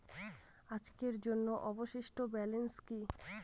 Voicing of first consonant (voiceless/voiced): voiced